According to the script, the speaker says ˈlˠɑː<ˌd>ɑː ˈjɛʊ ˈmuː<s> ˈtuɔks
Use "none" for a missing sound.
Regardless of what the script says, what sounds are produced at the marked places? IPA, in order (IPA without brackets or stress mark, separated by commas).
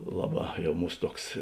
b, s